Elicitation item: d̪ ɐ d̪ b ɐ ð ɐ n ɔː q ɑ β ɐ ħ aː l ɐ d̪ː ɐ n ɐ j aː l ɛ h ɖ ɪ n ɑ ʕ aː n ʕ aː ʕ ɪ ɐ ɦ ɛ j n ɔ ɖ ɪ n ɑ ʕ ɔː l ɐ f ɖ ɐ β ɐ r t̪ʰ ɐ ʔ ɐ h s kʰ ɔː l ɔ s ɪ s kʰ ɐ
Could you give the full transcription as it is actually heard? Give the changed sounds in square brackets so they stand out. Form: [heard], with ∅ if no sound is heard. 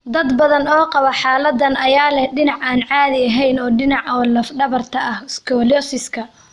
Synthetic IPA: d̪ ɐ d̪ b ɐ ð ɐ n ɔː q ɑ β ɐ ħ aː l ɐ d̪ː ɐ n ɐ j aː l ɛ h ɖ ɪ n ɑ ʕ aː n ʕ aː [ð] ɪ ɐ ɦ ɛ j n [ɔː] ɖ ɪ n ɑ ʕ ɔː l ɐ f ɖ ɐ β ɐ r t̪ʰ ɐ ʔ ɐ h s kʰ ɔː l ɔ s ɪ s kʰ ɐ